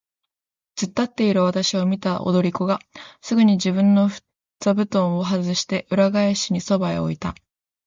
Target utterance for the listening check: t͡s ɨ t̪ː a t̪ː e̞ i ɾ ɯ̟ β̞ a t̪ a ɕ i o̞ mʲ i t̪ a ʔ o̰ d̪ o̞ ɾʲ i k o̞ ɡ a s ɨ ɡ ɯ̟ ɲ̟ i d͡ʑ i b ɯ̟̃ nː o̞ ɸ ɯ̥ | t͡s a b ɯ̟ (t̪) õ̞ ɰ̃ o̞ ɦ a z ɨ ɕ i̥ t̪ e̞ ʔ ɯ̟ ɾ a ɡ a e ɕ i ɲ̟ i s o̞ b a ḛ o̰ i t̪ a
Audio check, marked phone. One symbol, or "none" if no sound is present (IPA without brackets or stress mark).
t̪